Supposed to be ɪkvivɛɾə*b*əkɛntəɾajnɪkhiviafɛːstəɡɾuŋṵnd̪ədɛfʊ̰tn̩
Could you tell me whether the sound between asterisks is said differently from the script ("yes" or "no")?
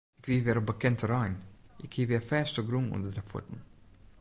no